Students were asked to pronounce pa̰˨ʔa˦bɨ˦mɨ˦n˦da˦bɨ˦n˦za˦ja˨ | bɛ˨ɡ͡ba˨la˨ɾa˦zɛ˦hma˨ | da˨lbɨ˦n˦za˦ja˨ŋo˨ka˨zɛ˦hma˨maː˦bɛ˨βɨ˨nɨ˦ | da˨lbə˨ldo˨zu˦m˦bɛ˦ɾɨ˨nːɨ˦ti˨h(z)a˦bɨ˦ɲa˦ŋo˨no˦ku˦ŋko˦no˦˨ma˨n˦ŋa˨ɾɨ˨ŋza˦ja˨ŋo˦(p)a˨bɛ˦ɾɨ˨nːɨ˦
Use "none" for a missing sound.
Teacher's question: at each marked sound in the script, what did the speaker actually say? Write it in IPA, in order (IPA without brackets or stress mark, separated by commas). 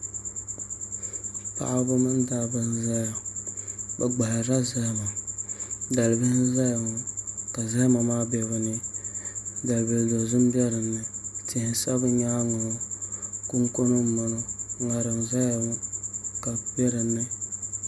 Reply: s, k